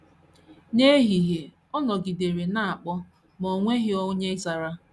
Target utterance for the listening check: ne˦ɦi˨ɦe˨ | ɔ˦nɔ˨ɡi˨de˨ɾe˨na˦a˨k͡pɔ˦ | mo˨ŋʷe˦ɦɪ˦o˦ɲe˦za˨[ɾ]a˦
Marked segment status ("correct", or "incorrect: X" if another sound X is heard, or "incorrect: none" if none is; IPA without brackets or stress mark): correct